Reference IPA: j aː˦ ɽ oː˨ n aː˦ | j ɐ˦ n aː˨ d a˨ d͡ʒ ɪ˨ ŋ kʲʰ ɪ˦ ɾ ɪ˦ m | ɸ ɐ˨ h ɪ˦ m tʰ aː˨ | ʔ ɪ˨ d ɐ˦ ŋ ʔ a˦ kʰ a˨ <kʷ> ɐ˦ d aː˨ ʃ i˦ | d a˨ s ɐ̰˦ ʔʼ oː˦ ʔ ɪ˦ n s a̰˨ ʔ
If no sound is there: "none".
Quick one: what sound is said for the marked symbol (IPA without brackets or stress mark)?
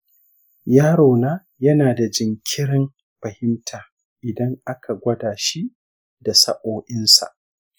ɡʷ